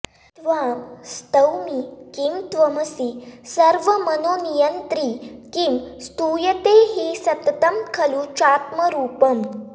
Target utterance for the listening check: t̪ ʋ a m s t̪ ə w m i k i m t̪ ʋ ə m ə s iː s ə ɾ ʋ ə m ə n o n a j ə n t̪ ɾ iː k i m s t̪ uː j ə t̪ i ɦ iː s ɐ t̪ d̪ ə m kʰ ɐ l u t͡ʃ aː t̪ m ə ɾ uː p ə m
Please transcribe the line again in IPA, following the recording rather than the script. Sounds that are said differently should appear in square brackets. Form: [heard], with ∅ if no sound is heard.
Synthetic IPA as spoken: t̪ ʋ a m s t̪ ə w m i k i m t̪ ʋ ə m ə s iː s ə ɾ ʋ ə m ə n o n [i] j ə n t̪ ɾ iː k i m s t̪ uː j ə t̪ [e] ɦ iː s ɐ t̪ [t̪] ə m kʰ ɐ l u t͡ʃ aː t̪ m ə ɾ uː p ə m

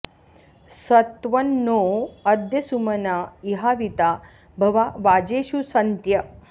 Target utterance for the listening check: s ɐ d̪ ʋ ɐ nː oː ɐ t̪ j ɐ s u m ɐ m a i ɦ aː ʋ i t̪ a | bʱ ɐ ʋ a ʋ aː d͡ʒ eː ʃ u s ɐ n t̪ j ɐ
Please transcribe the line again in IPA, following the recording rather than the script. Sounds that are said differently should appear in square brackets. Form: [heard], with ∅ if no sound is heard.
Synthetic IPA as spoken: s ɐ [t̪] ʋ ɐ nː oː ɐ [d̪] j ɐ s u m ɐ [n] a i ɦ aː ʋ i t̪ a | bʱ ɐ ʋ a ʋ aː d͡ʒ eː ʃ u s ɐ n t̪ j ɐ

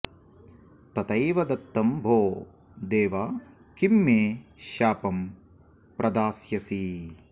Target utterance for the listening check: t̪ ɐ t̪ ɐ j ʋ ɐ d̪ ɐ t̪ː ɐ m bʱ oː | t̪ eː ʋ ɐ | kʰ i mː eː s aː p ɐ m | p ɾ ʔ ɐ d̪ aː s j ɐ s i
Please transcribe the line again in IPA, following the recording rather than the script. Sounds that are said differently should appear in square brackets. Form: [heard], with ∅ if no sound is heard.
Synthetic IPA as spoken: t̪ ɐ t̪ ɐ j ʋ ɐ d̪ ɐ t̪ː ɐ m bʱ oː | [d̪] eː ʋ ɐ | [k] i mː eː [ʃ] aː p ɐ m | p ɾ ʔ ɐ d̪ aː s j ɐ s i

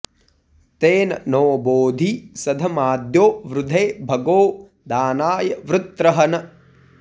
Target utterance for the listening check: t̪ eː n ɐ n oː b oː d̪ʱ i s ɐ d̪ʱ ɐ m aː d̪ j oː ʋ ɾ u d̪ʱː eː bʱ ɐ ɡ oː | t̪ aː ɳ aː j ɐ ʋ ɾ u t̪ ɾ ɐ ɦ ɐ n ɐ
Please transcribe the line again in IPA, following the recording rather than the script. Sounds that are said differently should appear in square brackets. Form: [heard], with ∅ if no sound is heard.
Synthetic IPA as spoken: t̪ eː n ɐ n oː b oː d̪ʱ i s ɐ d̪ʱ ɐ m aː d̪ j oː ʋ ɾ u [d̪ʱ] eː bʱ ɐ ɡ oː | [d̪] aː [n] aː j ɐ ʋ ɾ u t̪ ɾ ɐ ɦ ɐ n ɐ

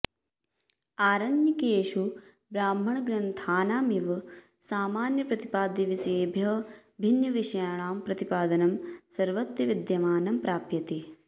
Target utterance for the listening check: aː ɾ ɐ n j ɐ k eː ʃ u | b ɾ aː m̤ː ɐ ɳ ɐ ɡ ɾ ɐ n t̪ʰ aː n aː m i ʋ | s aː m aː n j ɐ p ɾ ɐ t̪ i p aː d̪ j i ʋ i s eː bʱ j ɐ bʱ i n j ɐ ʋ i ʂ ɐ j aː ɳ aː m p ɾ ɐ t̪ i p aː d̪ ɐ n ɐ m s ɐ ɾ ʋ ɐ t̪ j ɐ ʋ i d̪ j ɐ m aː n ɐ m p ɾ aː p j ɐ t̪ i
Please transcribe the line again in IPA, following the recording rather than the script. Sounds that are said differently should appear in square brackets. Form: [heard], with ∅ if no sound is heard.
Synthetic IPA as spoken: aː ɾ ɐ n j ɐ k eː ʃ u | b ɾ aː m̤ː ɐ ɳ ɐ ɡ ɾ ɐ n t̪ʰ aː n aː m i ʋ | s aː m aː n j ɐ p ɾ ɐ t̪ i p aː d̪ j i ʋ i s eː bʱ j ɐ bʱ i n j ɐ ʋ i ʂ ɐ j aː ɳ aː m p ɾ ɐ t̪ i p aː d̪ ɐ n ɐ m s ɐ ɾ ʋ ɐ t̪ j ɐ ʋ i d̪ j ɐ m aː n ɐ m p ɾ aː p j ɐ t̪ i

